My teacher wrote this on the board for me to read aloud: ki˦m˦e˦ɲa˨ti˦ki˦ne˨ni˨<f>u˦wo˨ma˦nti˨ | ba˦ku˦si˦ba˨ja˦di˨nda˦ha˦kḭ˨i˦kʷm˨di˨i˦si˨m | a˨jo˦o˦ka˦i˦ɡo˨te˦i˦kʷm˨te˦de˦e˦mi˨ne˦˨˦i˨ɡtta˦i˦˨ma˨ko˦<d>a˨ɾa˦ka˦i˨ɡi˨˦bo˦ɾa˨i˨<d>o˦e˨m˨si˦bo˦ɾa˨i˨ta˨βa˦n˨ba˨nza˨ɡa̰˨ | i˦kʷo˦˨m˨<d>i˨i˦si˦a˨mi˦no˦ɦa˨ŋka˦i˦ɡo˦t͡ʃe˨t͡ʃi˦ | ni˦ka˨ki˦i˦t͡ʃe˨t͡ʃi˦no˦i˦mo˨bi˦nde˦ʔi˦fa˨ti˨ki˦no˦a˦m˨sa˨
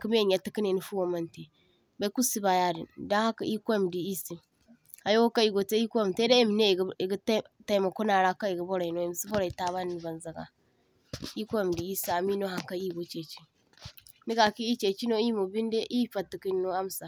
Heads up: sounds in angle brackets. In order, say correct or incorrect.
correct, incorrect: n, incorrect: n, correct

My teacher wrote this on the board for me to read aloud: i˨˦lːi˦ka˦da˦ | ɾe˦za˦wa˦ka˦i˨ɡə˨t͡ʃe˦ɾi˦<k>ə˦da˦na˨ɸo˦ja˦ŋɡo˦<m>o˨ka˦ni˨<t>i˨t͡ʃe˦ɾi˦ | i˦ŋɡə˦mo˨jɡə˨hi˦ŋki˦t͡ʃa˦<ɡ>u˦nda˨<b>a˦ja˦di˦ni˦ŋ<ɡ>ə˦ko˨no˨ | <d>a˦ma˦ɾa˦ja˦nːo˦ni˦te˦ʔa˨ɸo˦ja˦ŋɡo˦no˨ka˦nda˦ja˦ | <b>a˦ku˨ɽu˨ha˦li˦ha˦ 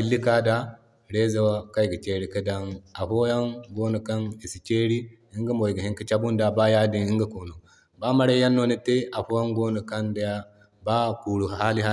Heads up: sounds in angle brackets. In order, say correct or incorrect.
correct, incorrect: n, incorrect: s, incorrect: b, correct, correct, incorrect: b, correct

